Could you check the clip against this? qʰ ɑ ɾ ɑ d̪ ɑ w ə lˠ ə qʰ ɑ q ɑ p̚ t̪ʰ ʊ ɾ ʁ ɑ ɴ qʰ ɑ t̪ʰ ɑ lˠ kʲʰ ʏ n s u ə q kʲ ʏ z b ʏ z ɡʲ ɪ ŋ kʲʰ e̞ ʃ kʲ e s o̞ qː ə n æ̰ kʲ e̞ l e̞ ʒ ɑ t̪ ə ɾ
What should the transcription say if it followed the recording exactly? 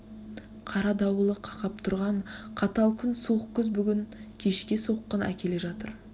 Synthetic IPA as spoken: qʰ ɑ ɾ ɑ d̪ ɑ w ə lˠ ə qʰ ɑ q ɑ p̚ t̪ʰ ʊ ɾ ʁ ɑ ɴ qʰ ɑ t̪ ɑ lˠ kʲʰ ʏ n s u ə q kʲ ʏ z b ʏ ɡʲ ɪ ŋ kʲʰ e̞ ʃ kʲ e s o̞ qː ə n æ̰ kʲ e̞ l e̞ ʒ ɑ t̪ ə ɾ